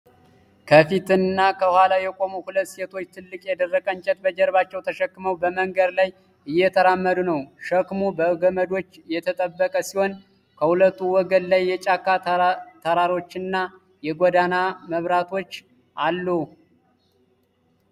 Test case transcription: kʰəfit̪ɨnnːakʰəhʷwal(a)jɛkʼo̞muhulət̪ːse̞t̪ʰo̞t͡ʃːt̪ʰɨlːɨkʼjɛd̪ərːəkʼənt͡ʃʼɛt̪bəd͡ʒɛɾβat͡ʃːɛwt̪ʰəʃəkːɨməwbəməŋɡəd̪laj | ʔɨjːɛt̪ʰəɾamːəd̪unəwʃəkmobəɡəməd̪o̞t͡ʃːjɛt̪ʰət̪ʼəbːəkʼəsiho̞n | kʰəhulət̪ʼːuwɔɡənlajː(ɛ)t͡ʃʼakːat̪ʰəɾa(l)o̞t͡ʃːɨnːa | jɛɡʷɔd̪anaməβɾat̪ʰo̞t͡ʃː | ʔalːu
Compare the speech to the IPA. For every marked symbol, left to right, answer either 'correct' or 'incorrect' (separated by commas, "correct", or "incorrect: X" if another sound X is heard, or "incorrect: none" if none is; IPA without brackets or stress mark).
correct, correct, incorrect: ɾ